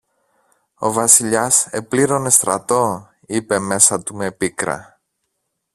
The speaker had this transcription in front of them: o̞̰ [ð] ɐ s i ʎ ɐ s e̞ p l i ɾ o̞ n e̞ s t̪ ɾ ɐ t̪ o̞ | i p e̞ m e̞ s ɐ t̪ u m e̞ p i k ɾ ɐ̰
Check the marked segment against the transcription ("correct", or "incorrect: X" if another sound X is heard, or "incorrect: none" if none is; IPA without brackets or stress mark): incorrect: v